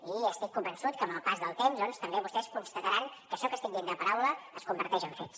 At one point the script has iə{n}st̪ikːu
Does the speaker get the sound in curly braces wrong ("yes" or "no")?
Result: yes